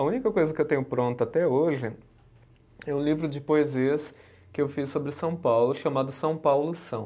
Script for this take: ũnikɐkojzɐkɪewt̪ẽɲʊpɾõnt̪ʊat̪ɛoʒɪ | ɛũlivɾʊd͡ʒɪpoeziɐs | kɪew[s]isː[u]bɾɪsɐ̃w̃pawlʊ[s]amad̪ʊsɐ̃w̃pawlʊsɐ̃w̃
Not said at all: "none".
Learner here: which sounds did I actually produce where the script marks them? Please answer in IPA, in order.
f, o, ʃ

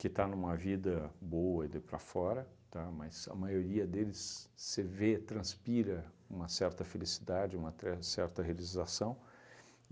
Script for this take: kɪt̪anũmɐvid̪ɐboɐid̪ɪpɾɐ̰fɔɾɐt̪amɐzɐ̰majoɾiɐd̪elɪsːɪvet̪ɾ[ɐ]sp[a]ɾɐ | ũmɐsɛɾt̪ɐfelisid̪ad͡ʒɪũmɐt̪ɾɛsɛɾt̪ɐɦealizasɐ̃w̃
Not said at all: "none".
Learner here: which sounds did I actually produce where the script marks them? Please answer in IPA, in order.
ɐ̃, i

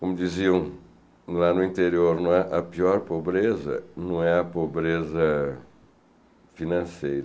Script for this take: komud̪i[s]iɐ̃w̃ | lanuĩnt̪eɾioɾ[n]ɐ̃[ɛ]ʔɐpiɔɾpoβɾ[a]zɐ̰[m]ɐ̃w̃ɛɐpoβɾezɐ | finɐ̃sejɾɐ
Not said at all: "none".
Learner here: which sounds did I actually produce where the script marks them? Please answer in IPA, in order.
z, n, ɛ, e, n

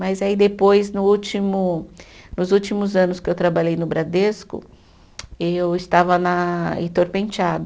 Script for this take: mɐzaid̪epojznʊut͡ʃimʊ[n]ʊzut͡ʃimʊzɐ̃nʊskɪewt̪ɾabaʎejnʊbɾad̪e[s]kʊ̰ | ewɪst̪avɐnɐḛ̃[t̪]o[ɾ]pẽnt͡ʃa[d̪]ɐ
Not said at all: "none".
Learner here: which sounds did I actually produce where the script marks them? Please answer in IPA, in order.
n, s, t̪, ɾ, d̪

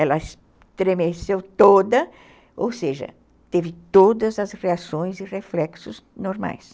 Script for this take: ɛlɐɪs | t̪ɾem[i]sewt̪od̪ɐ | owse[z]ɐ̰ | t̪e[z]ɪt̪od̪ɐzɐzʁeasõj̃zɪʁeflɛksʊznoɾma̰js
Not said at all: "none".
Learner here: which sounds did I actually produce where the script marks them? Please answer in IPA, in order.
e, ʒ, v

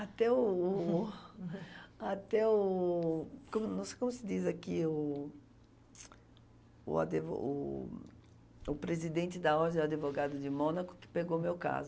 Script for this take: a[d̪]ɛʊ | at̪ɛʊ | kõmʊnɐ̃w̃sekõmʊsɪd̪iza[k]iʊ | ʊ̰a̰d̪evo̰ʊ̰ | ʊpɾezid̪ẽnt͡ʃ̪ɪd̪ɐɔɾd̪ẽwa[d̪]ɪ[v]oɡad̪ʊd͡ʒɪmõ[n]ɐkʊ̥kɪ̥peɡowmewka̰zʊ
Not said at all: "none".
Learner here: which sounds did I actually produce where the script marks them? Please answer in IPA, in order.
t̪, k, d̪, v, n

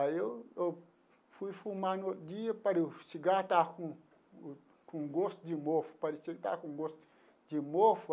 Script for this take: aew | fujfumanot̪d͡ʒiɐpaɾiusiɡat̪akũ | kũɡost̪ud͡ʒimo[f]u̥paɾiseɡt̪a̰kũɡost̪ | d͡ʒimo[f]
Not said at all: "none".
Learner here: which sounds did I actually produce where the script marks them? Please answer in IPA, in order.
f, f

